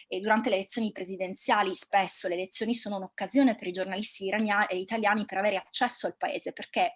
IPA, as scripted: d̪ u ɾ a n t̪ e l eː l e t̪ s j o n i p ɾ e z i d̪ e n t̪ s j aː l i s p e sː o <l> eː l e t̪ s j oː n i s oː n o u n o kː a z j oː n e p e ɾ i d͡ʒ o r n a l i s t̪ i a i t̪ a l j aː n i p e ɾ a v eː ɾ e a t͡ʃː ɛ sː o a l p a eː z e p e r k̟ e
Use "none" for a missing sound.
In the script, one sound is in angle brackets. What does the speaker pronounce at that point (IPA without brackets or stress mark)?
l